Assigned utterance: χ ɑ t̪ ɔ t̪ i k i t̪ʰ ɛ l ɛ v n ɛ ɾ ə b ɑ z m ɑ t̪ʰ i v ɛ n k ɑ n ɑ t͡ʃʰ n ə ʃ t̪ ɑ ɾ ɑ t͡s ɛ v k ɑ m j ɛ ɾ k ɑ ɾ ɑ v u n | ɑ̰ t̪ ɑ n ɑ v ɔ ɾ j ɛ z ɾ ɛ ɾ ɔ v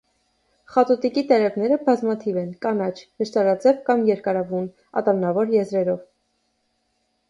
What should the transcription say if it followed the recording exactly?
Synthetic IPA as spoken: χ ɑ t̪ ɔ t̪ i k i t̪ ɛ ɾ ɛ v n ɛ ɾ ə b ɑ z m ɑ t̪ʰ i v ɛ n k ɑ n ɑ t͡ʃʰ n ə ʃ t̪ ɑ ɾ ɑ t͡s ɛ v k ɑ m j ɛ ɾ k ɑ ɾ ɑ v u n | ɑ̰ t̪ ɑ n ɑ v ɔ ɾ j ɛ z ɾ ɛ ɾ ɔ v

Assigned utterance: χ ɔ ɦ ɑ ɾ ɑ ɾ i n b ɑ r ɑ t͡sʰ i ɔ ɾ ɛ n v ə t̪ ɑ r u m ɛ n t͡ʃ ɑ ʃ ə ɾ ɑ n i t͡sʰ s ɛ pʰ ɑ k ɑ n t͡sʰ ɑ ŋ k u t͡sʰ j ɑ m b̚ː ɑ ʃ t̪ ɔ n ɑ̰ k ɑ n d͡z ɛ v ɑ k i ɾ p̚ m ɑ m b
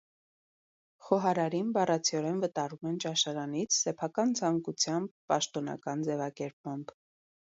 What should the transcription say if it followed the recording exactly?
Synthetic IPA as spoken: χ ɔ ɦ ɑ ɾ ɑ ɾ i n b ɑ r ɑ t͡sʰ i ɔ ɾ ɛ n v ə t̪ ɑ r u m ɛ n t͡ʃ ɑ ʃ ɑ ɾ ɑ n i t͡sʰ s ɛ pʰ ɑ k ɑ n t͡sʰ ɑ ŋ k u t͡sʰ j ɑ m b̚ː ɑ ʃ t̪ ɔ n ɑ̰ k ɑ n d͡z ɛ v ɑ k ɛ ɾ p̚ m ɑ m b

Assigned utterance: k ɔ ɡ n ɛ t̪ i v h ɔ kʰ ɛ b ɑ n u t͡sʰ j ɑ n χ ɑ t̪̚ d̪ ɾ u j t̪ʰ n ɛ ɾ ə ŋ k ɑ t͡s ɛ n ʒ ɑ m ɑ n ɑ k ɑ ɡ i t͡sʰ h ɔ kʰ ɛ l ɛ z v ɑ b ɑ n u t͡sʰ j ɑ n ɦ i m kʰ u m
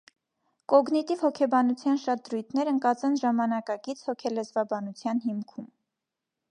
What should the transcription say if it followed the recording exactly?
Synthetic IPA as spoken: k ɔ ɡ n i t̪ i v h ɔ kʰ ɛ b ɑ n u t͡sʰ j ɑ n ʃ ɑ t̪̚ d̪ ɾ u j t̪ʰ n ɛ ɾ ə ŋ k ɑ t͡s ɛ n ʒ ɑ m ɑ n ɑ k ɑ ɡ i t͡sʰ h ɔ kʰ ɛ l ɛ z v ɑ b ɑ n u t͡sʰ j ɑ n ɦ i m kʰ u m

